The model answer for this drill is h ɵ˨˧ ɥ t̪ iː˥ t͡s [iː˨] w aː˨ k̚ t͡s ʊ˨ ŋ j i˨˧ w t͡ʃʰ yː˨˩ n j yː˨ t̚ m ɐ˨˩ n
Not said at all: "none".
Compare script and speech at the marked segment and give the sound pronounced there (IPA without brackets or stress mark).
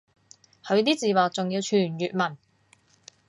iː˨